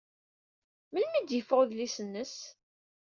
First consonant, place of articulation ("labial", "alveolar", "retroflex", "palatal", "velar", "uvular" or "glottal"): labial